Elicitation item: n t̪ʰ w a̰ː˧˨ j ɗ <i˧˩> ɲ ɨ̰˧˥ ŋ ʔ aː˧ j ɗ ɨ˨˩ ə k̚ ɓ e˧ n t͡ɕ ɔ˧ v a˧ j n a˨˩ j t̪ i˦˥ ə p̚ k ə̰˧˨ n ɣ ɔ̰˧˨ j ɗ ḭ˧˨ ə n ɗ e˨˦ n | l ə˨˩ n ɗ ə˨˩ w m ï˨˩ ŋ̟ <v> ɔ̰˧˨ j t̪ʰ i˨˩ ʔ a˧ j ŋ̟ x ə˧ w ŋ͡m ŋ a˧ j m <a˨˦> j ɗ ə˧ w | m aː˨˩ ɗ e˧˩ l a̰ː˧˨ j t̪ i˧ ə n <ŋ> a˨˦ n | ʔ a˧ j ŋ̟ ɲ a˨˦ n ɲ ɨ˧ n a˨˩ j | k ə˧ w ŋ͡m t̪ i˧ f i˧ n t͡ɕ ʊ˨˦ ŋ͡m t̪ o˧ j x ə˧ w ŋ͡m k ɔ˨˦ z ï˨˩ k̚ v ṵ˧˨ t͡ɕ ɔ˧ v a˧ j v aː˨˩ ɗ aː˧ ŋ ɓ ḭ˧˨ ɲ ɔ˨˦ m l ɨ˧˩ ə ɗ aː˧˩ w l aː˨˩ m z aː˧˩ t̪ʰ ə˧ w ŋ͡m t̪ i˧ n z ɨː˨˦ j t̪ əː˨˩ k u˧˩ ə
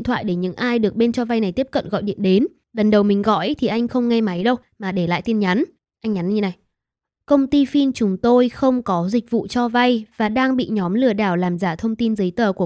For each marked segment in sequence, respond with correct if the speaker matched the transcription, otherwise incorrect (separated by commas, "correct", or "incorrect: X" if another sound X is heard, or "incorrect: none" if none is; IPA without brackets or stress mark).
incorrect: e˧˩, incorrect: ɣ, correct, incorrect: ɲ